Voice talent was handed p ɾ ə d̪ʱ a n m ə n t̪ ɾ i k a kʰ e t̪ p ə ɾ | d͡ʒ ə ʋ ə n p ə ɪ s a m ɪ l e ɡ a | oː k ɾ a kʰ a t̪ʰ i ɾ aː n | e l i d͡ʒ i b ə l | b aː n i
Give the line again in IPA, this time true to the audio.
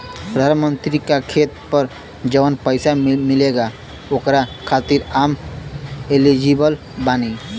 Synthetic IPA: p ɾ ə d̪ʱ a n m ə n t̪ ɾ i k a kʰ e t̪ p ə ɾ | d͡ʒ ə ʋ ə n p ə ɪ s a m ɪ l e ɡ a | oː k ɾ a kʰ a t̪ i ɾ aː m | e l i d͡ʒ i b ə l | b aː n i